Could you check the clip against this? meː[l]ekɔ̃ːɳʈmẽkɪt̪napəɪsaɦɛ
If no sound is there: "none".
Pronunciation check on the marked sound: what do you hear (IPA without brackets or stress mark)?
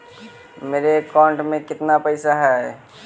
ɾ